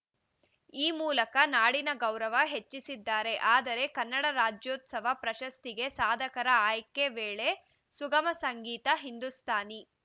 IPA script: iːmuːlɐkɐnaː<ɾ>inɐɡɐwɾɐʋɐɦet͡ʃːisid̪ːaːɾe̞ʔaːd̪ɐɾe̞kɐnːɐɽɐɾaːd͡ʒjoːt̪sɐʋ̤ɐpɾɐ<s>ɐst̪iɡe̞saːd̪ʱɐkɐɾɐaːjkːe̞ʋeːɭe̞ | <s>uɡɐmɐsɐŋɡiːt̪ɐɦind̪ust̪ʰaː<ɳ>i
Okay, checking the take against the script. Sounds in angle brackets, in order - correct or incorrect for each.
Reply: incorrect, incorrect, correct, incorrect

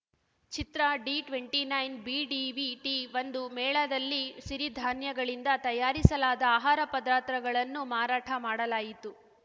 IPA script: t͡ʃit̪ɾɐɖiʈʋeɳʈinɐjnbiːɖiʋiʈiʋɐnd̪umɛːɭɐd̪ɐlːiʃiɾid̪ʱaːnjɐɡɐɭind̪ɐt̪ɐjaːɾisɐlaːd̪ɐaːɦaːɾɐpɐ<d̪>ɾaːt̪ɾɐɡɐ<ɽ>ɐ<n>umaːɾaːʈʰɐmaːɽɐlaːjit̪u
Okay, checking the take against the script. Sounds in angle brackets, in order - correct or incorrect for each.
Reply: correct, incorrect, incorrect

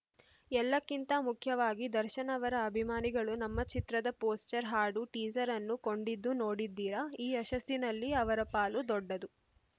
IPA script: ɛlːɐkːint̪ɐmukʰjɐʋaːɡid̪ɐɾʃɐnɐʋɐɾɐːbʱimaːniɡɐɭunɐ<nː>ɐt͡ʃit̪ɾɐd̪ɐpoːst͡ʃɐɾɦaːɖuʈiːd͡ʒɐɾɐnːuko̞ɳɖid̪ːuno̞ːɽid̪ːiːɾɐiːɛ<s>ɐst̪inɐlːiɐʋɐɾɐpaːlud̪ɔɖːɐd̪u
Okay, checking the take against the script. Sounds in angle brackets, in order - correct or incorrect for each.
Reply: incorrect, incorrect

